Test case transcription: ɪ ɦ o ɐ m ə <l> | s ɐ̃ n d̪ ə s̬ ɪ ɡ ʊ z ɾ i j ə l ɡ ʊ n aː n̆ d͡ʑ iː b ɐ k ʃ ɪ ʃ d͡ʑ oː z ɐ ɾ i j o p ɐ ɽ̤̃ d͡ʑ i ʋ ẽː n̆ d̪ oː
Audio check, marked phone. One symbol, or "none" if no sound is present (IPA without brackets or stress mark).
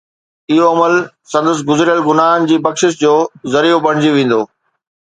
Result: l